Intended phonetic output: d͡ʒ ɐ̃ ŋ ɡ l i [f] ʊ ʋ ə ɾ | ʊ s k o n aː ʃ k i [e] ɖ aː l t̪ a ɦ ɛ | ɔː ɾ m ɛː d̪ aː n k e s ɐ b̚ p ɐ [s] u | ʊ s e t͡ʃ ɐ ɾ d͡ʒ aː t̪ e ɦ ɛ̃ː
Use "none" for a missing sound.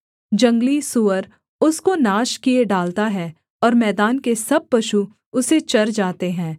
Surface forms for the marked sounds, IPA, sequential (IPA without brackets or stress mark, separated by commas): s, e, ʃ